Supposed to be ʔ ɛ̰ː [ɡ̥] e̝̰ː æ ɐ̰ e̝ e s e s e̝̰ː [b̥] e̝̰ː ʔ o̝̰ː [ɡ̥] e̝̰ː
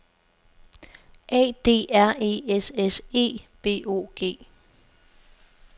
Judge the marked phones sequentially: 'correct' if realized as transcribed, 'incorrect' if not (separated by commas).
incorrect, correct, correct